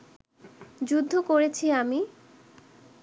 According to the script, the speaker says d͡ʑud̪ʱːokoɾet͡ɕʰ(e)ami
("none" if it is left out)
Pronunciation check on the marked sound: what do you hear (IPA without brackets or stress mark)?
i